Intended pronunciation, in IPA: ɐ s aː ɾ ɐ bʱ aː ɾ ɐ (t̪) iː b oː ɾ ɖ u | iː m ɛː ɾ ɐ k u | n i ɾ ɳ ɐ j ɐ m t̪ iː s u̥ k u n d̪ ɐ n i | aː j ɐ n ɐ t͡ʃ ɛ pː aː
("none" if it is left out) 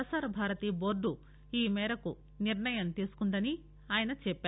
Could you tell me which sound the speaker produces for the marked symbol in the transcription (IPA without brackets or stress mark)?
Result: t̪